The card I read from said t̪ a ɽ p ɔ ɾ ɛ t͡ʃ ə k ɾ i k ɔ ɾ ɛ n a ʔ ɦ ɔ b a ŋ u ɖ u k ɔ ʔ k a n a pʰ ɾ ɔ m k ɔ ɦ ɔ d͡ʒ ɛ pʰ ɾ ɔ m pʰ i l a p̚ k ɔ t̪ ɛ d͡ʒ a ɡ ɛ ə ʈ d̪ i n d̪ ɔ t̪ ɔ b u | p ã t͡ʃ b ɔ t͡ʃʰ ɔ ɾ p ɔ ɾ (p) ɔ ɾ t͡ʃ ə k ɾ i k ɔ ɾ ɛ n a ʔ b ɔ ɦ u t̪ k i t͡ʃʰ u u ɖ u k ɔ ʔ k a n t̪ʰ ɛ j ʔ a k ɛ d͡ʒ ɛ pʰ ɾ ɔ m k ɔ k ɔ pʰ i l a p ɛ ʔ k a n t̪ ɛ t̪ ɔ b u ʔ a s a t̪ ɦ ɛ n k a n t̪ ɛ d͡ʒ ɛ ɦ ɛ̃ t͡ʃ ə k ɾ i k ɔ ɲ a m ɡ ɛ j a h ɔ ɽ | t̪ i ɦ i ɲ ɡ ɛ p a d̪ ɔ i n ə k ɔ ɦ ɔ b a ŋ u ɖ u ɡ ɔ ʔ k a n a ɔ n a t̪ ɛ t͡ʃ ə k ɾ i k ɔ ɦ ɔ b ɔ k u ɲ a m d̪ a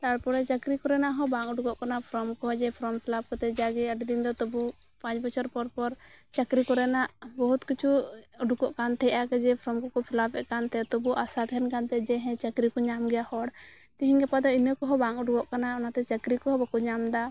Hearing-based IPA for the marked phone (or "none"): p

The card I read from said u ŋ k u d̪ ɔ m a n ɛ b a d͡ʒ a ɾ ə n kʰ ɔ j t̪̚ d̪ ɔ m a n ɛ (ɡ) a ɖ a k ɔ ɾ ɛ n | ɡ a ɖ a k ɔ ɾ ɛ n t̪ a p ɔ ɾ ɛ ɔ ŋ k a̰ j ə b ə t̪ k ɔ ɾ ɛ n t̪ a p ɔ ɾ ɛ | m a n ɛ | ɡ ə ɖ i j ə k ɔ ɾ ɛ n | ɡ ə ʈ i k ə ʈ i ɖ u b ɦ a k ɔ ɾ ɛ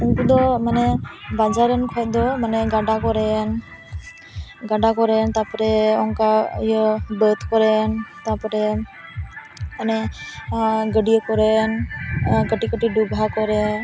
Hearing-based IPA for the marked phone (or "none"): ɡ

